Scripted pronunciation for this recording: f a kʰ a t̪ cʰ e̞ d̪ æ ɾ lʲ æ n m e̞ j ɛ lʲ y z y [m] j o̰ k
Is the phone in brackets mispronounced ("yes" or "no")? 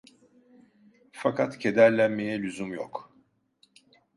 no